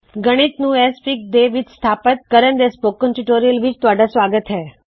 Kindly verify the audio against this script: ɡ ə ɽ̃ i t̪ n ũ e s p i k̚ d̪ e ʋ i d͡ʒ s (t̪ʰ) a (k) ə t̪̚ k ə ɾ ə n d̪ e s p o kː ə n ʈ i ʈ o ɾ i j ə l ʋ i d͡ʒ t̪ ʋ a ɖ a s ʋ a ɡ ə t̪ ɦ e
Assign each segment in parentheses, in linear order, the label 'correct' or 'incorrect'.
correct, incorrect

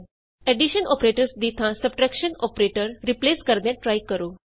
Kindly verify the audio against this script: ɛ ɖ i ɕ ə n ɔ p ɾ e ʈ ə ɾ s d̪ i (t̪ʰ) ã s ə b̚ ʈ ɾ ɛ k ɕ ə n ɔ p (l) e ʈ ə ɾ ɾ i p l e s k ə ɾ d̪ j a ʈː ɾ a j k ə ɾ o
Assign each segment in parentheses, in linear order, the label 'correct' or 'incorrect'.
correct, incorrect

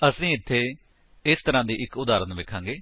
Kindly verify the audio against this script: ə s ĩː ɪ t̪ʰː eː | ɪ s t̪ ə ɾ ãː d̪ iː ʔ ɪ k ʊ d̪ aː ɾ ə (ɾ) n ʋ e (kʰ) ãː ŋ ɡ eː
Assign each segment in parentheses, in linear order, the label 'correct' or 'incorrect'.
incorrect, correct

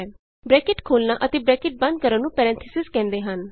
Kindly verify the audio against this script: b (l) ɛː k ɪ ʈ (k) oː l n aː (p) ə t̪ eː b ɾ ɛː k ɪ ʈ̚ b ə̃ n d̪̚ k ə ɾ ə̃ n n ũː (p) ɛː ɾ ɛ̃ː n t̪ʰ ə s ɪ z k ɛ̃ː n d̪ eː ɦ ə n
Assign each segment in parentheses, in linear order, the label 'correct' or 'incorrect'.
incorrect, incorrect, incorrect, correct

